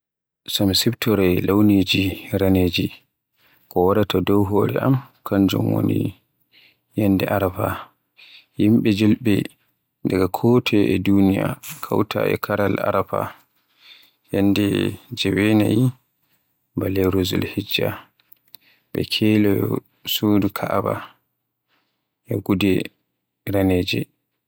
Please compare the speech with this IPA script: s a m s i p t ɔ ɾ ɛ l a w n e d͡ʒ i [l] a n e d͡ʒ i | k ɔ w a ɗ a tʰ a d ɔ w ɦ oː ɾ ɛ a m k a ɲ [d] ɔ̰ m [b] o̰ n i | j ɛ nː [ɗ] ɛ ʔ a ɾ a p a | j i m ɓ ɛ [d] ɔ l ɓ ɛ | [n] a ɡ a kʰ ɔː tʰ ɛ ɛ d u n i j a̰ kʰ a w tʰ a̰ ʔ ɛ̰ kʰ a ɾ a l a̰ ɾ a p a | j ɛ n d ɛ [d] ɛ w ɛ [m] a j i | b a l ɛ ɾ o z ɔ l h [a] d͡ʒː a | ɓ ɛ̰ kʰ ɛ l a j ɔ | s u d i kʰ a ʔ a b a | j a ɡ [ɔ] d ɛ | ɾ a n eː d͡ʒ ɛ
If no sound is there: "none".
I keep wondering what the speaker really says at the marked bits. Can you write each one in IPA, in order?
ɾ, d͡ʒ, w, d, d͡ʒ, d, d͡ʒ, n, i, u

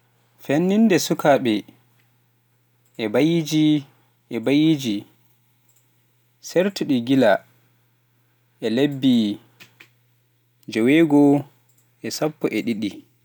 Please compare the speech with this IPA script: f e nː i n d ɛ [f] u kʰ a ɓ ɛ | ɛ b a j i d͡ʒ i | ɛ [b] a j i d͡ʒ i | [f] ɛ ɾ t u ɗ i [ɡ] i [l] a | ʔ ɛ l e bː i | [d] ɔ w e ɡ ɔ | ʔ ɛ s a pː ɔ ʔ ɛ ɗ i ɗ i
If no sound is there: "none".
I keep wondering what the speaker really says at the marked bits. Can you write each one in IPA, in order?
s, b, s, ɡ, l, d͡ʒ

